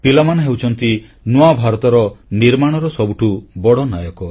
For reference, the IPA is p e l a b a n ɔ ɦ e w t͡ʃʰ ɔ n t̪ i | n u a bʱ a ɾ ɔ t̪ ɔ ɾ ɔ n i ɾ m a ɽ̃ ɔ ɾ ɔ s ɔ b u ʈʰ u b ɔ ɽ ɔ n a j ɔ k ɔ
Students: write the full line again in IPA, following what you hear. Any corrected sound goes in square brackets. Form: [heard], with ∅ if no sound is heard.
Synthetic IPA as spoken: p [i] l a [m] a n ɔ ɦ e w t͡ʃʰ ɔ n t̪ i | n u a bʱ a ɾ ɔ t̪ ɔ ɾ ɔ n i ɾ m a ɽ̃ ɔ ɾ ɔ s ɔ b u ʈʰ u b ɔ ɽ ɔ n a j ɔ k ɔ